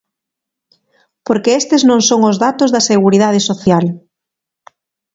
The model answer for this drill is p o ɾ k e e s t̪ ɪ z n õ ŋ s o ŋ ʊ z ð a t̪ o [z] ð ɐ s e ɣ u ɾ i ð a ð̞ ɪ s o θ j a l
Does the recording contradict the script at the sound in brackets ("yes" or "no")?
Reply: no